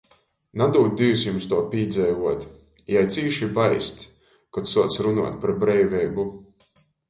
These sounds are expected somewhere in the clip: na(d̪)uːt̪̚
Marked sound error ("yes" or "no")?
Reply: no